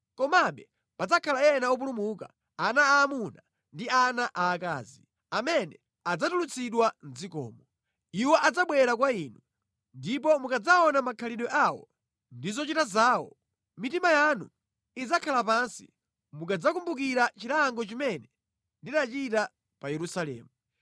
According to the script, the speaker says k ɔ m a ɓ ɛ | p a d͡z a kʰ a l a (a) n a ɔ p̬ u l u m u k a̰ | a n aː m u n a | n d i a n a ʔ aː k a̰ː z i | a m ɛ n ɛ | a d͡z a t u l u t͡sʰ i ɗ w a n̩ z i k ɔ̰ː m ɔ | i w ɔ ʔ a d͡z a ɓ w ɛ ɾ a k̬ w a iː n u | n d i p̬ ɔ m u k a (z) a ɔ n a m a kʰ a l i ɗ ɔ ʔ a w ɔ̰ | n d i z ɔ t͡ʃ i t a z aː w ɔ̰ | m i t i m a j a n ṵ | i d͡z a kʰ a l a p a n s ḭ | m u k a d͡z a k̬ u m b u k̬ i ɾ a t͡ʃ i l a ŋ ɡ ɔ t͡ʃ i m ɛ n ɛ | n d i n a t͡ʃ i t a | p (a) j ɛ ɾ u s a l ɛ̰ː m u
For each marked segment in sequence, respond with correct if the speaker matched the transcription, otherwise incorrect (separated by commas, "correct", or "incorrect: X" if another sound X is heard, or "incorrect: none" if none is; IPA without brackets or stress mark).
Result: incorrect: ɛ, incorrect: d͡z, correct